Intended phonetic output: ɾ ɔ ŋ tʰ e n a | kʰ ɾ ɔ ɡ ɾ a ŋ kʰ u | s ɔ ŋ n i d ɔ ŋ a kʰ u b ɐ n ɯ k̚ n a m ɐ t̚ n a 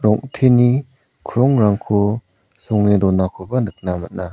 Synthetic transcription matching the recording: ɾ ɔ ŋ tʰ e n i | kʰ ɾ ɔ ŋ ɾ a ŋ kʰ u | s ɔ ŋ n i d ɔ n a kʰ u b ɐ n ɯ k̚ n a m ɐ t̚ n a